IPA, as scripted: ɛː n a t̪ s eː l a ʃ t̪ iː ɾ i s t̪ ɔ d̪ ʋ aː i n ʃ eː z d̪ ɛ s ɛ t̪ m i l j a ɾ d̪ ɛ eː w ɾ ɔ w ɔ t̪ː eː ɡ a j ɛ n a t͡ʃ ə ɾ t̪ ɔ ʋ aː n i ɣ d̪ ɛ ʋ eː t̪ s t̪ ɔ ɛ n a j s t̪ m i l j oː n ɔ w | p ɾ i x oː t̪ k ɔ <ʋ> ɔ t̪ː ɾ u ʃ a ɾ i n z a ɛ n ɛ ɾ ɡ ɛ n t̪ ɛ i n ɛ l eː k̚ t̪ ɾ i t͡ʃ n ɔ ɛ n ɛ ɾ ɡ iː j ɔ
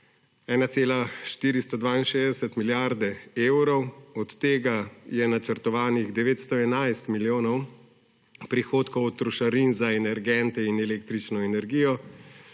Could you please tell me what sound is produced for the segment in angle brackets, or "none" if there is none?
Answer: w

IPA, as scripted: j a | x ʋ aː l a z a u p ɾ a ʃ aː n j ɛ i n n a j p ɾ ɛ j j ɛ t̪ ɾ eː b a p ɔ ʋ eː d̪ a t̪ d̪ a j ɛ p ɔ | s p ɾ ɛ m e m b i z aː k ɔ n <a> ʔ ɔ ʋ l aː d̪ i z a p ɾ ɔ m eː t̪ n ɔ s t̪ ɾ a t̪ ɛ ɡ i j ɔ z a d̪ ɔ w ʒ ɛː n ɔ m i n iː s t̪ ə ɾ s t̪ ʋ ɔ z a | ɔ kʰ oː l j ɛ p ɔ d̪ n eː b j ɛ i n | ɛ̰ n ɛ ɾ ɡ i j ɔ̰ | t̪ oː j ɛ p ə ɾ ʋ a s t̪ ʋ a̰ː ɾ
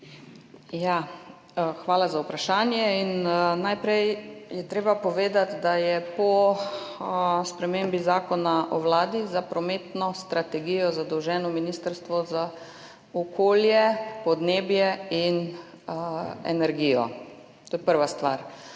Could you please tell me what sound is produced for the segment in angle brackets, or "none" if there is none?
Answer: a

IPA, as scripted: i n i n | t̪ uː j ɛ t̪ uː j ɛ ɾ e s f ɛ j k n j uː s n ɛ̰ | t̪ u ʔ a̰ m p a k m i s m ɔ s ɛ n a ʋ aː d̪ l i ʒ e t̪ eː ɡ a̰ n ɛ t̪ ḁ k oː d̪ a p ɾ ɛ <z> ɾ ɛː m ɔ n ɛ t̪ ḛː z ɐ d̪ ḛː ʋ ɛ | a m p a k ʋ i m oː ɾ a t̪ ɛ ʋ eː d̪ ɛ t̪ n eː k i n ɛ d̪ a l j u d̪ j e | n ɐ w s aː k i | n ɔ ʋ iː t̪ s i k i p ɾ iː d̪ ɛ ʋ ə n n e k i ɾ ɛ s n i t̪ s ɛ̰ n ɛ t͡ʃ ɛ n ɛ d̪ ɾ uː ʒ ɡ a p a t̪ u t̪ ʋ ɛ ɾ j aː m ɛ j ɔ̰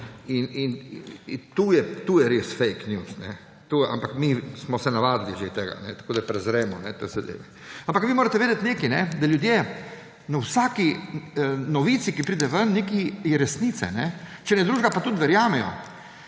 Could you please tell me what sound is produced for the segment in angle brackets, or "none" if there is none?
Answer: z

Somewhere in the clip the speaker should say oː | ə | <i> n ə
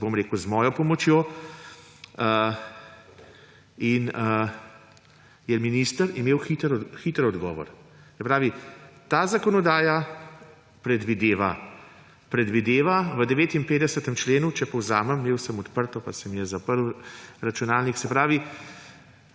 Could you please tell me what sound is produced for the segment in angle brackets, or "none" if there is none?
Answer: i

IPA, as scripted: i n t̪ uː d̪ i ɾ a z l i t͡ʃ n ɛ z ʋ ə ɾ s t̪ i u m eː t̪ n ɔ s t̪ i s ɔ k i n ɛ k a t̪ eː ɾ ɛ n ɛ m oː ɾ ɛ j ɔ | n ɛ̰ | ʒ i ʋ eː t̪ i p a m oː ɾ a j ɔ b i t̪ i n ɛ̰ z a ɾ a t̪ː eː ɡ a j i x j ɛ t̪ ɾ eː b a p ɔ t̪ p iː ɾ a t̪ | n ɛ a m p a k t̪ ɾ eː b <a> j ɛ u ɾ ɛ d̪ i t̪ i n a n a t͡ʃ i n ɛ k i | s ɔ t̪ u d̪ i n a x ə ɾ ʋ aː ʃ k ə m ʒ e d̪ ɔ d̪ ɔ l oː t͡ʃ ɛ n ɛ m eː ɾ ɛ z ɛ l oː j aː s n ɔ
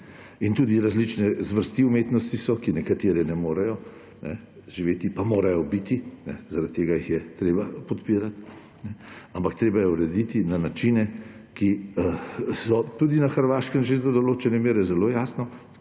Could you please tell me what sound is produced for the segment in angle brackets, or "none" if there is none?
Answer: a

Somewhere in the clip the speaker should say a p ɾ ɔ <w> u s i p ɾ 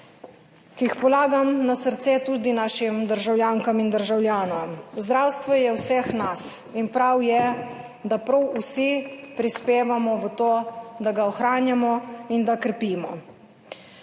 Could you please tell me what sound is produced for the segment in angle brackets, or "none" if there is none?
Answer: w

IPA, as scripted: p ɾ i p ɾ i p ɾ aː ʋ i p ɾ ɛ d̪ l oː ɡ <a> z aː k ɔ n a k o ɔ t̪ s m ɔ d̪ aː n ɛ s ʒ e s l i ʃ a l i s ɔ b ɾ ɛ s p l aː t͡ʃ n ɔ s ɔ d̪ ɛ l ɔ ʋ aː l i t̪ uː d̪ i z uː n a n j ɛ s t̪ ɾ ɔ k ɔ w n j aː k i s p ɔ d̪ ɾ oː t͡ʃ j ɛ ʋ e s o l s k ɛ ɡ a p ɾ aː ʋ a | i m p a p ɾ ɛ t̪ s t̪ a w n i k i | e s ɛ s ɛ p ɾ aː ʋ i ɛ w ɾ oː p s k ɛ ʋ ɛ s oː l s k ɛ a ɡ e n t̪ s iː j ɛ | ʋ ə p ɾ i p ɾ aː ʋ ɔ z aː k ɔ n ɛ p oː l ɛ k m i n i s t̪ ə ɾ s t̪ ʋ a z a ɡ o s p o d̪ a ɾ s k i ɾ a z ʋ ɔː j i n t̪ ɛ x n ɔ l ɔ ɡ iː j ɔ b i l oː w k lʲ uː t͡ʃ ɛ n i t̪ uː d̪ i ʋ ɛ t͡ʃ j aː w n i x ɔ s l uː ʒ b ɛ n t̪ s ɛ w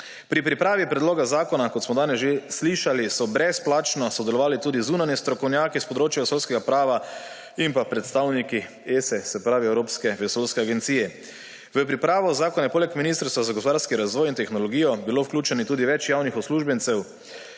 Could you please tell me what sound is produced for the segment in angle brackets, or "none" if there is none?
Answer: a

